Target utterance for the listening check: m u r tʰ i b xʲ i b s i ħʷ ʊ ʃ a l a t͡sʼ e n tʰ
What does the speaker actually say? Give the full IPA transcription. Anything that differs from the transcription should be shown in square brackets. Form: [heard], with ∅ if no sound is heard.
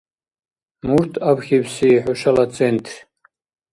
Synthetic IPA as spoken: m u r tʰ [a] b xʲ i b s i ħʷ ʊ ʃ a l a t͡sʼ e n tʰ

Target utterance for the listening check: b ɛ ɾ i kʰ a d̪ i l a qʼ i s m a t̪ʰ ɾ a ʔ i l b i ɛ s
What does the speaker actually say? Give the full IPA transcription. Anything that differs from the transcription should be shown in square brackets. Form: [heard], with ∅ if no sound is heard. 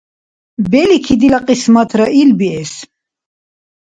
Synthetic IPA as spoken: b ɛ [l] i kʰ [i] d̪ i l a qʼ i s m a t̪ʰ ɾ a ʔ i l b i ɛ s

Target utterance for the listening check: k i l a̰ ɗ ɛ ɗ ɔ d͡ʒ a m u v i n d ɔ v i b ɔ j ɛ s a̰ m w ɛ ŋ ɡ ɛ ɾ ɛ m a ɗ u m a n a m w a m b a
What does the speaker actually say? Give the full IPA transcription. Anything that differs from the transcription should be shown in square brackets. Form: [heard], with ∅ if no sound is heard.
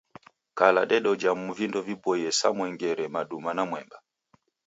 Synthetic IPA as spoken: k [a] l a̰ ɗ ɛ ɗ ɔ d͡ʒ a m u v i n d ɔ v i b ɔ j ɛ s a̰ m w ɛ ŋ ɡ ɛ ɾ ɛ m a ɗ u m a n a m w [ɛ] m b a

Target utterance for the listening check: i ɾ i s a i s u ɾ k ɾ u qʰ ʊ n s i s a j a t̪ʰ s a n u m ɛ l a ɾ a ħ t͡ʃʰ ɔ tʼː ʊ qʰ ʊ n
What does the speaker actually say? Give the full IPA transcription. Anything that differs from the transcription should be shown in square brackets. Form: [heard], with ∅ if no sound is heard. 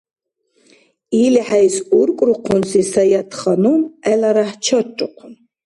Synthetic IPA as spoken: i [l] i [ħ] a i s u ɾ [kʼ] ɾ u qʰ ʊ n s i s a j a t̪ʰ [χ] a n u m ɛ l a ɾ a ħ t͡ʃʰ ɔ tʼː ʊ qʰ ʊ n

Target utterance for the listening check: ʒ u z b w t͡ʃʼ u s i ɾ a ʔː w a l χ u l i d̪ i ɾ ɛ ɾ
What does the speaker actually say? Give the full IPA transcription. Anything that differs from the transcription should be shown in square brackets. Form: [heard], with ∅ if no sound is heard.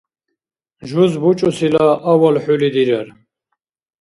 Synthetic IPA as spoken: ʒ u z b [u] t͡ʃʼ u s i [l] a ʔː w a l [ħ] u l i d̪ i ɾ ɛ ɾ

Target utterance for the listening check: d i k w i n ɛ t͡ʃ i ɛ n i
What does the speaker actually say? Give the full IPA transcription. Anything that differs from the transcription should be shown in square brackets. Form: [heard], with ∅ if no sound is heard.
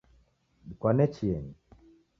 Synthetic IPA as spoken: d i k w [a] n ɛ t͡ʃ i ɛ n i

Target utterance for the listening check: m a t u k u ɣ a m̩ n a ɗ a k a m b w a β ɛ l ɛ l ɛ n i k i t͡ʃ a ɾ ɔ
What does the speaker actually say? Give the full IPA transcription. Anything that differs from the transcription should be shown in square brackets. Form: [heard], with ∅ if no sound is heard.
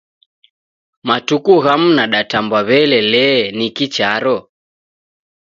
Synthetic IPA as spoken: m a t u k u ɣ a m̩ n a ɗ a [t] a m b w a β ɛ l ɛ l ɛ n i k i t͡ʃ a ɾ ɔ

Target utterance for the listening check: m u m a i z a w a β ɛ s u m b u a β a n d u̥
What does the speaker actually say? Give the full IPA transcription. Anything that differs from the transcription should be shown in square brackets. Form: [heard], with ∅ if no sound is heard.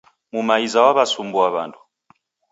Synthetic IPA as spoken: m u m a i z a w a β [a] s u m b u a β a n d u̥

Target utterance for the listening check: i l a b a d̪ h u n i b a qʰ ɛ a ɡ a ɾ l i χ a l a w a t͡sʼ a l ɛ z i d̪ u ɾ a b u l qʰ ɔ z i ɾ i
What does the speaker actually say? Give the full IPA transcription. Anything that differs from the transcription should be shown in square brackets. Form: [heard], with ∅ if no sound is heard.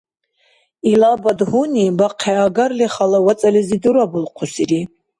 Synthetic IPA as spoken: i l a b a d̪ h u n i b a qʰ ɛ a ɡ a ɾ l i χ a l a w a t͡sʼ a l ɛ z i d̪ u ɾ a b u l qʰ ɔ [s] i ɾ i

